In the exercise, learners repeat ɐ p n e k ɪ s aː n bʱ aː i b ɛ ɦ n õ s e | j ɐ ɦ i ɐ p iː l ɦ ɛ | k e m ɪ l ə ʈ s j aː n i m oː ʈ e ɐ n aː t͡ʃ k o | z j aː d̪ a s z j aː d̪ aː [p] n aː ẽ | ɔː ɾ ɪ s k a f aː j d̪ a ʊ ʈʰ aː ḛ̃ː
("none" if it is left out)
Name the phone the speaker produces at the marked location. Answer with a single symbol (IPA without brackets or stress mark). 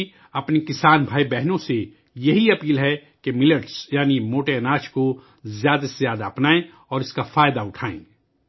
p